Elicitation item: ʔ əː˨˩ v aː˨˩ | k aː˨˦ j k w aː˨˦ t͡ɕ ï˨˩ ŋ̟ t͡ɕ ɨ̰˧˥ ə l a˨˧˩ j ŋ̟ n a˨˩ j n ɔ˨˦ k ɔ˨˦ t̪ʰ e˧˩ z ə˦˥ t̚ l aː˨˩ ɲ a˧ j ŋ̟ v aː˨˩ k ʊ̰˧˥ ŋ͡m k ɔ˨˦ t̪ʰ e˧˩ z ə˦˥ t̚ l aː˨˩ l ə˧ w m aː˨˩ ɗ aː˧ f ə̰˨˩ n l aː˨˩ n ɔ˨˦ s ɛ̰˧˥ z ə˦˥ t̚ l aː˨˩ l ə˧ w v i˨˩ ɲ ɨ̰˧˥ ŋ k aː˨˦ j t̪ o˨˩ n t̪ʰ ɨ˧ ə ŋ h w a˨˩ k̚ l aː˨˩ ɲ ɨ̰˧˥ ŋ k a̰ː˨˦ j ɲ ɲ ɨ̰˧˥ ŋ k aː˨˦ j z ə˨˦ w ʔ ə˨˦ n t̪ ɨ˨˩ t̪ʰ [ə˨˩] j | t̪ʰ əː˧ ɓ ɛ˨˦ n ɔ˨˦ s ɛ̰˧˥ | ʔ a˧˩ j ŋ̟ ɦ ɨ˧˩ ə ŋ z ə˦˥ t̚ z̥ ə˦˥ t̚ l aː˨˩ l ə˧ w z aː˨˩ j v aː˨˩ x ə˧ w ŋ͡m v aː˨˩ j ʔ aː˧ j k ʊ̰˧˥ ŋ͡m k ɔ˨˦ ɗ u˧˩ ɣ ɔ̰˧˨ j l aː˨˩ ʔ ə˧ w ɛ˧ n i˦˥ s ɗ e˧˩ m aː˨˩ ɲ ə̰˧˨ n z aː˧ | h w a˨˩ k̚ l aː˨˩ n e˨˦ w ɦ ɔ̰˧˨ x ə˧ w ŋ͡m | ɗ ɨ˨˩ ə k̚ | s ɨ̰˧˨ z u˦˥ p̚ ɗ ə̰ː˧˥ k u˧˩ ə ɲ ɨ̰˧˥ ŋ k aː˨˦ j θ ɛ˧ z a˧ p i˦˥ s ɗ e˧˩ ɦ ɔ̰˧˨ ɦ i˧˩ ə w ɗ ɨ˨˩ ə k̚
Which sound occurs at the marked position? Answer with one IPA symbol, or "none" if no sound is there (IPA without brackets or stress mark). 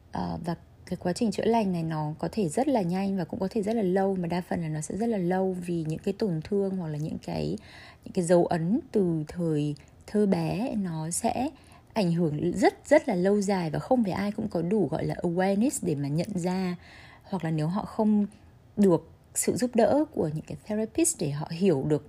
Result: əː˨˩